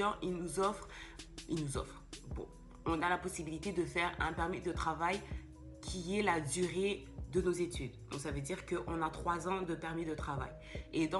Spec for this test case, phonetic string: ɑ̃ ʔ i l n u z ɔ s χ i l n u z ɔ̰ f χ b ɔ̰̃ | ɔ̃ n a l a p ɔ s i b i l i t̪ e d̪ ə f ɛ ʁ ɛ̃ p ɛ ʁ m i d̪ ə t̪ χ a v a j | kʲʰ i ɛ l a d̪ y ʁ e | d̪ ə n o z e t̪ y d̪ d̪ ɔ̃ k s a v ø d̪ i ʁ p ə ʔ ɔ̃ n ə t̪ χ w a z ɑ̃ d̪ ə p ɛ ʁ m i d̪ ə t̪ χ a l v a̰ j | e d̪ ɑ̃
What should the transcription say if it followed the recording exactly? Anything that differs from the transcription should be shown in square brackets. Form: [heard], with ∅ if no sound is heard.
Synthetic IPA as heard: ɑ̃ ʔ i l n u z ɔ [f] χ i l n u z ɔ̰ f χ b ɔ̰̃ | ɔ̃ n a l a p ɔ s i b i l i t̪ e d̪ ə f ɛ ʁ ɛ̃ p ɛ ʁ m i d̪ ə t̪ χ a v a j | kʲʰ i ɛ l a d̪ y ʁ e | d̪ ə n o z e t̪ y d̪ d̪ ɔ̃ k s a v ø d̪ i ʁ [k] ə ʔ ɔ̃ n [a] t̪ χ w a z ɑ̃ d̪ ə p ɛ ʁ m i d̪ ə t̪ χ a [∅] v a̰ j | e d̪ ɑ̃